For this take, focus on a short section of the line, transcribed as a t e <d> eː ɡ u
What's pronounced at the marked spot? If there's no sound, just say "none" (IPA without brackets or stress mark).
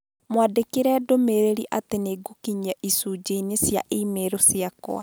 n